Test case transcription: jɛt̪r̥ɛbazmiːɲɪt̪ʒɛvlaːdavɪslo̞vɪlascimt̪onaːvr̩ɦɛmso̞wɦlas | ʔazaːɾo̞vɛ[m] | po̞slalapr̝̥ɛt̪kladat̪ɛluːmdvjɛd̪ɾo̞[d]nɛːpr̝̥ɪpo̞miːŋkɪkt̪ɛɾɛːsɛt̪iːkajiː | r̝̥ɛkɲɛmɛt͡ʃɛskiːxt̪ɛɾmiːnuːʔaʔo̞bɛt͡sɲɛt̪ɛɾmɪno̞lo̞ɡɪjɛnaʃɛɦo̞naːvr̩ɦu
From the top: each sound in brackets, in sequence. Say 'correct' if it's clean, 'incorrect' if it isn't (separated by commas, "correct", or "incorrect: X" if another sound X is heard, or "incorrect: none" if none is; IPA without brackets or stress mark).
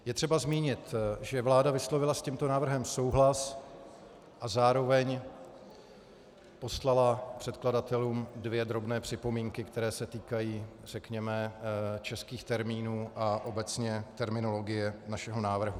incorrect: ɲ, incorrect: b